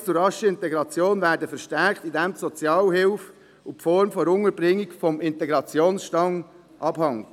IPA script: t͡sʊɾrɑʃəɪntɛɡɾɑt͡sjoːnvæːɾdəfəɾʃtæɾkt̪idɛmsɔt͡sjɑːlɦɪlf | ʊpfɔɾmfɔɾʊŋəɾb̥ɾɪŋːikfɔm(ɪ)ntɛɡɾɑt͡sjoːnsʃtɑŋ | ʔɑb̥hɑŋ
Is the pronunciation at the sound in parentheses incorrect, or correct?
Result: correct